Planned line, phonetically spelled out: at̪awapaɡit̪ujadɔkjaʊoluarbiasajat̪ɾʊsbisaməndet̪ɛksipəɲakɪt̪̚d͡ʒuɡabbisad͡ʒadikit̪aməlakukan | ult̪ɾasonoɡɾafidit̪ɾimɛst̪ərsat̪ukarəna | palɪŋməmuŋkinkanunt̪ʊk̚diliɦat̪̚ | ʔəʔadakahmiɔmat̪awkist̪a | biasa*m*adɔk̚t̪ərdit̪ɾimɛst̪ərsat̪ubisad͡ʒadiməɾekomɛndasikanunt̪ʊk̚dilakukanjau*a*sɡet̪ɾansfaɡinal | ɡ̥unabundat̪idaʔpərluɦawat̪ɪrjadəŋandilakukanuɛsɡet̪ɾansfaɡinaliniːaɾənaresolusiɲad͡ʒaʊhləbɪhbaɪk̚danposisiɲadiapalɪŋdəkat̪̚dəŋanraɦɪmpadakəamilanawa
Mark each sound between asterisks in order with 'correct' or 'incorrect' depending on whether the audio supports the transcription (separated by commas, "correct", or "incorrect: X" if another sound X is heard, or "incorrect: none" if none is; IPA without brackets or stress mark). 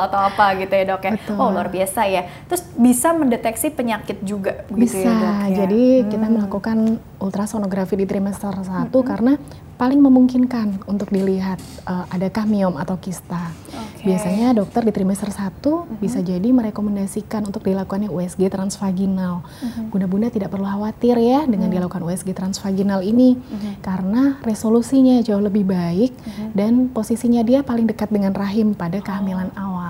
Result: incorrect: ɲ, incorrect: ɛ